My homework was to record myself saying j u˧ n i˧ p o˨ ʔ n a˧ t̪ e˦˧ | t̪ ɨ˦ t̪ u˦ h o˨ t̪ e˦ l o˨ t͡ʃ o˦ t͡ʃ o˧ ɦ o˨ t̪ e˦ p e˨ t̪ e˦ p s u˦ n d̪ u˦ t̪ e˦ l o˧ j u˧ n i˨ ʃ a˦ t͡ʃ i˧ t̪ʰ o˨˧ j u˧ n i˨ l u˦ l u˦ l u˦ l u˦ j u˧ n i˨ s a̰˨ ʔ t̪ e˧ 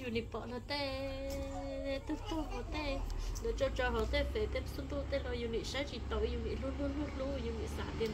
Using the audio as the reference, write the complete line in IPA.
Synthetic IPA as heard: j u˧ n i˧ p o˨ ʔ n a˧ t̪ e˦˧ | t̪ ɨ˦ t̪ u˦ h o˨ t̪ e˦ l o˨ t͡ʃ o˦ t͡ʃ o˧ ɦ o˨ t̪ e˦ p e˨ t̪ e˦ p s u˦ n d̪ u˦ t̪ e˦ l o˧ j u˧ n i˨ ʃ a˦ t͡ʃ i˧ t̪ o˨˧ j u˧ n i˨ l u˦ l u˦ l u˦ l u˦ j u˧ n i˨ s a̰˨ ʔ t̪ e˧